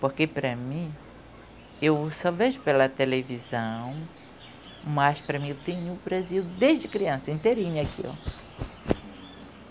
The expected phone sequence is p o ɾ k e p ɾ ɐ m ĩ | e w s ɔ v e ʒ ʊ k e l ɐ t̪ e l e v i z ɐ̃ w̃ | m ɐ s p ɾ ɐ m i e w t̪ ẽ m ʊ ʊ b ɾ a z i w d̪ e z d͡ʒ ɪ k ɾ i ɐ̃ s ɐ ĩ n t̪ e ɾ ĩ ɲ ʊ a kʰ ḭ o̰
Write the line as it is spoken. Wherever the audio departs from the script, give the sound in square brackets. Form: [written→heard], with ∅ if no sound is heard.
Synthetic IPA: p o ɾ k e p ɾ ɐ m ĩ | e w s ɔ v e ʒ ʊ [k→p] e l ɐ t̪ e l e v i z ɐ̃ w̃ | m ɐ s p ɾ ɐ m [i→ĩ] e w t̪ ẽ [m→ɲ] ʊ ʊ b ɾ a z i w d̪ e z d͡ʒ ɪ k ɾ i ɐ̃ s ɐ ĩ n t̪ e ɾ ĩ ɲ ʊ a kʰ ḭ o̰